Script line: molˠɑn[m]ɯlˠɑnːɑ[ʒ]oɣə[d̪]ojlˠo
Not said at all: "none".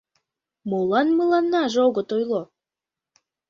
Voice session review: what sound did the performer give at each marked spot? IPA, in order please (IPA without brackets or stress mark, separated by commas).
m, ʒ, t̪